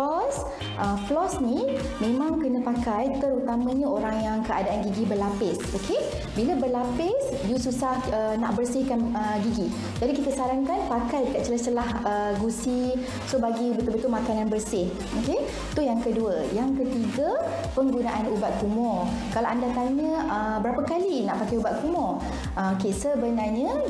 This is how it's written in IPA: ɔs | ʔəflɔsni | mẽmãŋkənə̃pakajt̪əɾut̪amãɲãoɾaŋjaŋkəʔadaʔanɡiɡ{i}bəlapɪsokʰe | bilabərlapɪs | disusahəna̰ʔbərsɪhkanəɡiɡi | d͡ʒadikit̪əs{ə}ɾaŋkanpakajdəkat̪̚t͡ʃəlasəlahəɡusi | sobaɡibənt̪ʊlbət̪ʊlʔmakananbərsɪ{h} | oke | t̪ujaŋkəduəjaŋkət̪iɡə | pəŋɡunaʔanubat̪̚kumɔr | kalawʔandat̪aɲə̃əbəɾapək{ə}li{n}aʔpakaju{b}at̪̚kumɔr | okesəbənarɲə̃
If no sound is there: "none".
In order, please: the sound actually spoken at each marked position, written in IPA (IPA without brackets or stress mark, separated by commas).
i, a, h, a, n, b